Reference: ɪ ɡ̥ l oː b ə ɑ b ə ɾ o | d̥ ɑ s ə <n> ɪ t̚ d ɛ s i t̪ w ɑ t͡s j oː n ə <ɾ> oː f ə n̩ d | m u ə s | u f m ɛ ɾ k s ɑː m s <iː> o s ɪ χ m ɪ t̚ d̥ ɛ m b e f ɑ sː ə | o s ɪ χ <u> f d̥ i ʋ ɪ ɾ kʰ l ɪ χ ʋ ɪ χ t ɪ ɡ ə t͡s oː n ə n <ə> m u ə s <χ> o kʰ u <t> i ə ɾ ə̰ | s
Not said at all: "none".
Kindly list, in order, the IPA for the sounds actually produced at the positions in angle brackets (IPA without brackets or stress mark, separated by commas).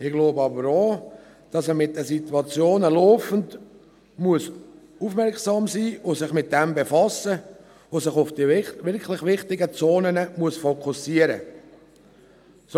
m, l, iː, ʊ, ə, f, s